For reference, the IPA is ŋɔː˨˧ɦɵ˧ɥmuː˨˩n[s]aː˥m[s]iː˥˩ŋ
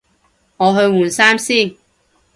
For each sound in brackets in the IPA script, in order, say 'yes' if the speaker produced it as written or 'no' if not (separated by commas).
yes, yes